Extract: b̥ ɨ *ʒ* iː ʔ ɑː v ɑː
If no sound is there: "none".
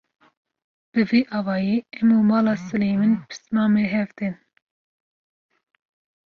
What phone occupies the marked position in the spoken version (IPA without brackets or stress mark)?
v